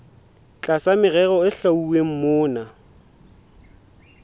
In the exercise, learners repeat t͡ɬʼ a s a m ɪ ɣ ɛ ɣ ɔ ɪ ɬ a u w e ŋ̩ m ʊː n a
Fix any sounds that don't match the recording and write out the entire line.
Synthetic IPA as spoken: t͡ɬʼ a s a m ɪ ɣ ɛ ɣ ɔ ɪ ɬ a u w e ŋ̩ m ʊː n a